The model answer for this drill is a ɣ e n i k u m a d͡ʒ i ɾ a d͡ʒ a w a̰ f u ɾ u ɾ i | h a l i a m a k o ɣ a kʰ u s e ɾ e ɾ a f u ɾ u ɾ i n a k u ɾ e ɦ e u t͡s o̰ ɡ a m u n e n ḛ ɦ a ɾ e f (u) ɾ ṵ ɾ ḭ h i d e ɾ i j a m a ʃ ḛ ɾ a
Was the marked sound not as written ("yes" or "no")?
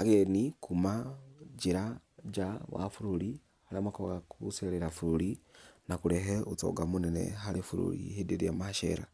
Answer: no